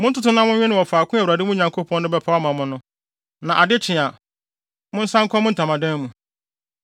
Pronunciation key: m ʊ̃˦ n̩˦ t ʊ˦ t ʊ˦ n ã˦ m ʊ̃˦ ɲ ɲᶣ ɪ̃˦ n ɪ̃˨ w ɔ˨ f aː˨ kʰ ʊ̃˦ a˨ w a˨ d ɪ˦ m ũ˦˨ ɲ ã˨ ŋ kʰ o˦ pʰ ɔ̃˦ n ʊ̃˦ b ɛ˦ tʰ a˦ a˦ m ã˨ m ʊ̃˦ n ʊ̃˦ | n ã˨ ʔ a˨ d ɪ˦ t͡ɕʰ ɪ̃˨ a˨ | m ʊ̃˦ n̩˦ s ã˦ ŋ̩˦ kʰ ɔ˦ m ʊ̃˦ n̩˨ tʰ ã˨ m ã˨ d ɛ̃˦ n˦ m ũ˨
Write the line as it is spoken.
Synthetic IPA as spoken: m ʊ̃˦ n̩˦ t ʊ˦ t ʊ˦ n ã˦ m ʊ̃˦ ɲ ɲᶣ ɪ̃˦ n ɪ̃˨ w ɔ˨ f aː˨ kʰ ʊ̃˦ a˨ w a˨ d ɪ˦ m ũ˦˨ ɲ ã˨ ŋ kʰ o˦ pʰ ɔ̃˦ n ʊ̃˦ b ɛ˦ pʰ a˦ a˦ m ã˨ m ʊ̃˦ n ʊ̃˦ | n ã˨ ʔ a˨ d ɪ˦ t͡ɕʰ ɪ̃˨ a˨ | m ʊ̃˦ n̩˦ s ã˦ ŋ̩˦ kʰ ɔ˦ m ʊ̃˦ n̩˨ tʰ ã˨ m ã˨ d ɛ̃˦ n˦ m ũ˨